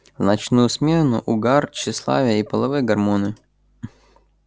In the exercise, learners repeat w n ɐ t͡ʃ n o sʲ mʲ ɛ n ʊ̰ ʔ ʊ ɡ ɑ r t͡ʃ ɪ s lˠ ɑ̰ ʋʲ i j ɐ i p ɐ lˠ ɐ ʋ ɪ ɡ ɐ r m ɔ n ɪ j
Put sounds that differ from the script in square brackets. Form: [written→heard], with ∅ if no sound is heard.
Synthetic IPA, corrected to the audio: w n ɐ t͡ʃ n [o→u] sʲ mʲ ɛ n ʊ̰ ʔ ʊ ɡ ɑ r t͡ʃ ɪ s lˠ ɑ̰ ʋʲ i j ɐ i p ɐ lˠ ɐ ʋ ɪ ɡ ɐ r m ɔ n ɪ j